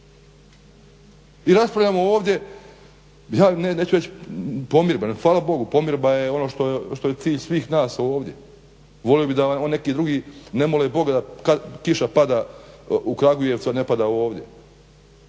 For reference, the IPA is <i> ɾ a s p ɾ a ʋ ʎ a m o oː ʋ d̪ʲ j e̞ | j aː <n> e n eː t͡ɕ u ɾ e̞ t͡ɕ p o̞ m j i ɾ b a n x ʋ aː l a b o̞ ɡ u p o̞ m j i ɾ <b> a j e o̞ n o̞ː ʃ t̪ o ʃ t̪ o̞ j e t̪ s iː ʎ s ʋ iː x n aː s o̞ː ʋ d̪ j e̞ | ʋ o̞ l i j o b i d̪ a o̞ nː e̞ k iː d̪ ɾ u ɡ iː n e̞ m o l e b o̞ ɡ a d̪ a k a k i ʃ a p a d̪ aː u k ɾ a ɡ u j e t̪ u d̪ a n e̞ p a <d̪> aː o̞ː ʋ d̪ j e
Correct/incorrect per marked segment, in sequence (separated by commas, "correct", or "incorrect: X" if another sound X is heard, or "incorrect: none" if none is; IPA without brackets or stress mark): correct, correct, correct, correct